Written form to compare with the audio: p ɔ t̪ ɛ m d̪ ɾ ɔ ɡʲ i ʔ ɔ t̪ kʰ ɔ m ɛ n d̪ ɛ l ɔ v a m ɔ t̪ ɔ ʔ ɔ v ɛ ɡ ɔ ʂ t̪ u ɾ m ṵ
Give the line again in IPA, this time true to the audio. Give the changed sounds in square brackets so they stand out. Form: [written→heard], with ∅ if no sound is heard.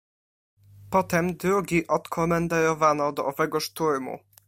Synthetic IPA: p ɔ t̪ ɛ m d̪ ɾ [ɔ→u] ɡʲ i ʔ ɔ t̪ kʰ ɔ m ɛ n d̪ ɛ [l→ɾ] ɔ v a [m→n] ɔ [t̪→d̪] ɔ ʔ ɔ v ɛ ɡ ɔ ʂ t̪ u ɾ m ṵ